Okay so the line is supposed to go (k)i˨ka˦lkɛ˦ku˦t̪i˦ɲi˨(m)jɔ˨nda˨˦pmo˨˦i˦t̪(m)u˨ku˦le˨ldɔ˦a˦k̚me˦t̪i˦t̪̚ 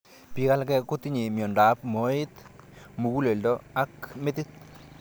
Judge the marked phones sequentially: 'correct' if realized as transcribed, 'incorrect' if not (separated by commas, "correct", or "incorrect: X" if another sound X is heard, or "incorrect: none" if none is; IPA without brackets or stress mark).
incorrect: p, correct, correct